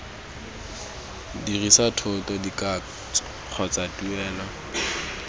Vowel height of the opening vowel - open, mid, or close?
close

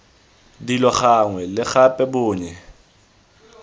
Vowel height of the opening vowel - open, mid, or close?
close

